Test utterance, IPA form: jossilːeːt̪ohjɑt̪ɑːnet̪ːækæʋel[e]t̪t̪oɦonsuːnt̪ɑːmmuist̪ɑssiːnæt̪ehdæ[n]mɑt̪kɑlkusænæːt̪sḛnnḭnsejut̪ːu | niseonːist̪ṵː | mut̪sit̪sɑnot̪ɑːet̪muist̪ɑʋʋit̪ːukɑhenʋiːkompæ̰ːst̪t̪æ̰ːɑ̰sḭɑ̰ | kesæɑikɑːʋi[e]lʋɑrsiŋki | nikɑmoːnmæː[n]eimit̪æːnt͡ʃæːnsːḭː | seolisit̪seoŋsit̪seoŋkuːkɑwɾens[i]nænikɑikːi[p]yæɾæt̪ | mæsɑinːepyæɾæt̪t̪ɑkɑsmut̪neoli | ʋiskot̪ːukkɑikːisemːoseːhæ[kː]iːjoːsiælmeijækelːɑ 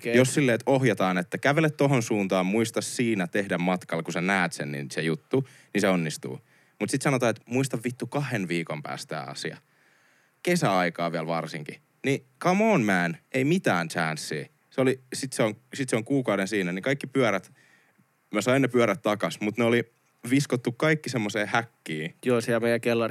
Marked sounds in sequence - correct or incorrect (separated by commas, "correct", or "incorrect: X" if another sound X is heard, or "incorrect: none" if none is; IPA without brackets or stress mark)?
correct, incorrect: m, incorrect: æ, correct, incorrect: iː, correct, correct